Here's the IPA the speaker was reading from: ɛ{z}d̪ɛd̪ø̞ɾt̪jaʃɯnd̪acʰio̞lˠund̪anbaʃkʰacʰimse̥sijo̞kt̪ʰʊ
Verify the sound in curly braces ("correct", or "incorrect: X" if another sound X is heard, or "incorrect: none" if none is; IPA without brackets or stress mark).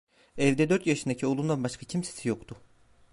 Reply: incorrect: v